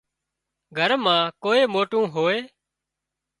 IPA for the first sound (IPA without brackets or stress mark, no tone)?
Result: ɡʱ